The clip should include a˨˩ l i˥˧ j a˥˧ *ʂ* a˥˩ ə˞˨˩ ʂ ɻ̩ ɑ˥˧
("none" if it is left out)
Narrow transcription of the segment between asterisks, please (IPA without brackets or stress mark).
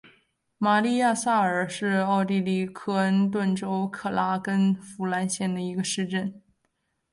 s